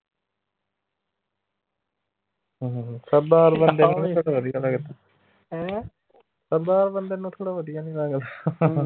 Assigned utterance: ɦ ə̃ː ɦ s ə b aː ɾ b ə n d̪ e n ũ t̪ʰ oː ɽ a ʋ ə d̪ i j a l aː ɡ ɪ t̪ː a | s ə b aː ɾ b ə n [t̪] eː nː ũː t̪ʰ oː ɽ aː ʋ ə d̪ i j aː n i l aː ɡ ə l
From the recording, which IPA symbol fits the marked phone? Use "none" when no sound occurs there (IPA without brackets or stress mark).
d̪